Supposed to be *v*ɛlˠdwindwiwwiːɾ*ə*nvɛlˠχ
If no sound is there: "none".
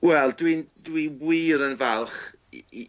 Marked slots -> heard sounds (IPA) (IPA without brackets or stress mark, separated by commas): w, ə